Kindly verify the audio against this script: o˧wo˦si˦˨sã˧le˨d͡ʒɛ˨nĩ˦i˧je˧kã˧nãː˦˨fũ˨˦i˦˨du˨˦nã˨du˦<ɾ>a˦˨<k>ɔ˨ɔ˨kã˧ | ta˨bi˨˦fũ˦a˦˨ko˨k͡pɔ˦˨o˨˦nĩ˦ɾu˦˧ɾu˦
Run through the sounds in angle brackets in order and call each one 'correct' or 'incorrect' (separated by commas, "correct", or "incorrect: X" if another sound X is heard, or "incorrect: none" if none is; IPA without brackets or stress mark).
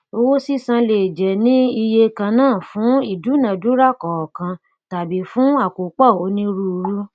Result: correct, correct